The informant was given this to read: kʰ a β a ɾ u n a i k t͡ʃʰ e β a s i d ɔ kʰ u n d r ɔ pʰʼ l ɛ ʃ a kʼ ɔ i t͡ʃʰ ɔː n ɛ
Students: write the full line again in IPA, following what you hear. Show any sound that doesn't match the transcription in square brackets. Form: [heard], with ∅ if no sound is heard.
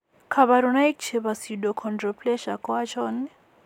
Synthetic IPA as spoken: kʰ a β a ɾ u n a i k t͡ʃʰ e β a s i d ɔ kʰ [ɔ] n d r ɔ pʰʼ l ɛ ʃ a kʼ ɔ [a] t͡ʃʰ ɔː n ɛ